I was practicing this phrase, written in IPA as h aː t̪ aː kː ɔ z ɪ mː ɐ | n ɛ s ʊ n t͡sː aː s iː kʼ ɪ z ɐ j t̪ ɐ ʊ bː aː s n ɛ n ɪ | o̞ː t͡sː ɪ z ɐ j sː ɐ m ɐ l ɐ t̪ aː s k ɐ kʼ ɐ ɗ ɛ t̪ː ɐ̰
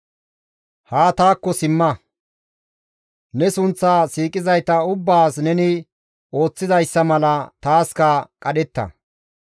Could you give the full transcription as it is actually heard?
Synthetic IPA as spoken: h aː t̪ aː kː ɔ s ɪ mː ɐ | n ɛ s ʊ n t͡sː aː s iː kʼ ɪ z ɐ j t̪ ɐ ʊ bː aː s n ɛ n ɪ | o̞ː t͡sː ɪ z ɐ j sː ɐ m ɐ l ɐ t̪ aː s k ɐ kʼ ɐ ɗ ɛ t̪ː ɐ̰